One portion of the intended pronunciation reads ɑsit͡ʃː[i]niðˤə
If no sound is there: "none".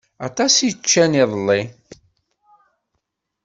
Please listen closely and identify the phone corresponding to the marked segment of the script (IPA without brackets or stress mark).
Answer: æ